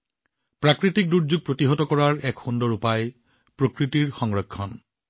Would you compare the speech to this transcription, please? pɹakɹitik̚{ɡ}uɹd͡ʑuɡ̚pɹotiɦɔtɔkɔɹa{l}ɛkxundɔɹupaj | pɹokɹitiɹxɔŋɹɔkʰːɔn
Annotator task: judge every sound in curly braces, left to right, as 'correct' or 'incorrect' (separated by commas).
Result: incorrect, incorrect